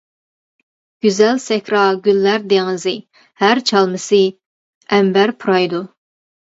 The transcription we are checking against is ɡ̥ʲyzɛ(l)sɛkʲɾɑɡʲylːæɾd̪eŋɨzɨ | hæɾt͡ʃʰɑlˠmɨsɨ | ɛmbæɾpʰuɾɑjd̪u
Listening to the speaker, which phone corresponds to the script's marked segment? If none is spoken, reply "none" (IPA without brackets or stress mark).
l